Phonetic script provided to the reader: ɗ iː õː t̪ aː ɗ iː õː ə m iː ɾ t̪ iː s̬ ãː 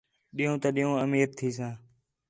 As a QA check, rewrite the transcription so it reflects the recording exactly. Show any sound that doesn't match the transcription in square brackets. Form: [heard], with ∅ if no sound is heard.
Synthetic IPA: ɗ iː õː t̪ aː ɗ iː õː ə m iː ɾ [t̪ʰ] iː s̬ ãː